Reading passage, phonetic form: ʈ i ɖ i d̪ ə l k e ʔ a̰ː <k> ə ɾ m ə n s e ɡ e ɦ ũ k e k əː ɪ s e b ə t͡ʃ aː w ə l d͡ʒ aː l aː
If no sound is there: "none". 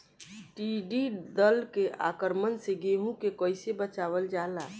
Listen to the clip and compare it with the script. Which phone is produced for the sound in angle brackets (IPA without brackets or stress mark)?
k